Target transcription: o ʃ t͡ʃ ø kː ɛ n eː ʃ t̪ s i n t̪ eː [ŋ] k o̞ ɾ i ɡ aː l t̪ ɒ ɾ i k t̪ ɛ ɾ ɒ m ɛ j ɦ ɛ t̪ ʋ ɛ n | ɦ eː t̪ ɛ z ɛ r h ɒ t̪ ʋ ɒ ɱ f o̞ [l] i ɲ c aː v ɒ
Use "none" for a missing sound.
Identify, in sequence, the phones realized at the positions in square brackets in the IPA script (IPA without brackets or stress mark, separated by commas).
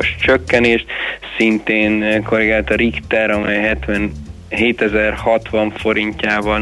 n, ɾ